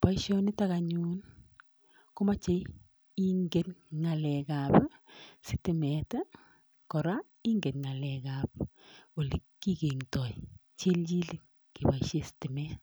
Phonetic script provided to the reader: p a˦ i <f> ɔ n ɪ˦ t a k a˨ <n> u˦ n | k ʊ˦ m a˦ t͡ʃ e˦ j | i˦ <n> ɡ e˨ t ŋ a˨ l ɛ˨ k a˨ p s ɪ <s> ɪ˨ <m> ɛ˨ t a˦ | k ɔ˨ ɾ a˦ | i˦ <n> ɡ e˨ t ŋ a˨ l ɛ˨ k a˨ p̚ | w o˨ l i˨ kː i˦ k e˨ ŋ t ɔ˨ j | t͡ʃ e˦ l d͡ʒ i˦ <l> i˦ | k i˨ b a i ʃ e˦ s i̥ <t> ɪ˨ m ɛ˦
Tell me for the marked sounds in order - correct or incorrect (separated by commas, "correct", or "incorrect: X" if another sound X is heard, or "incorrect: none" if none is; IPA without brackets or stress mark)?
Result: incorrect: ʃ, incorrect: ɲ, incorrect: ŋ, incorrect: t, correct, incorrect: ŋ, correct, correct